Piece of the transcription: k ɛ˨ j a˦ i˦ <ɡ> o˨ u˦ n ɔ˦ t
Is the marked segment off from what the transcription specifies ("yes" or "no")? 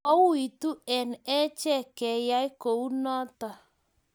yes